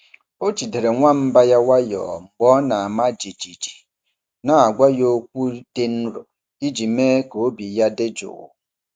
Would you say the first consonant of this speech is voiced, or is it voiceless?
voiceless